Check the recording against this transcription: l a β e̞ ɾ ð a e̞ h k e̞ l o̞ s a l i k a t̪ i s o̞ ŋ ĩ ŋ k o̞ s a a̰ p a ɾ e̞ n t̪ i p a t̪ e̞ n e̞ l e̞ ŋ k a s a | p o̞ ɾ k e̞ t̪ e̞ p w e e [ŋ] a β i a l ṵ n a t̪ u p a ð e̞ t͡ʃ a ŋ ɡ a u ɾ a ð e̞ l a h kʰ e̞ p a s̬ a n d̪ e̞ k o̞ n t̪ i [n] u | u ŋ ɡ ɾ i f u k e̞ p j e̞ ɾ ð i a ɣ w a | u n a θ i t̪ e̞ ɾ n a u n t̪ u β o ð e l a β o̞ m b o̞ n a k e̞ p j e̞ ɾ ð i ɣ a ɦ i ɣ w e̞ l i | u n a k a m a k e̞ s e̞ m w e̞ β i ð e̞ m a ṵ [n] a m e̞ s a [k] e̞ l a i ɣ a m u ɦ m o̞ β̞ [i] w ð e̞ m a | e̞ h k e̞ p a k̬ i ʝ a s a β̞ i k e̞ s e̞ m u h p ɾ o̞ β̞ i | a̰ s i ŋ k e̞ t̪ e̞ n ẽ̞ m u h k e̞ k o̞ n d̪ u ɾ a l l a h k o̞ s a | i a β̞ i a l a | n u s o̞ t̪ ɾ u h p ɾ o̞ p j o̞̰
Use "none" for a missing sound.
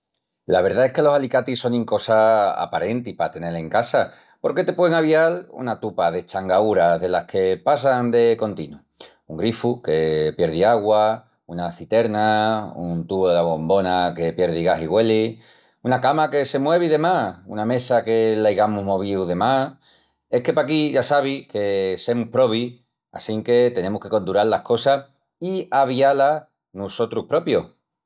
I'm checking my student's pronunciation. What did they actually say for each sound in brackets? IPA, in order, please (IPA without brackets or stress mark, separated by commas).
ŋ, n, n, k, i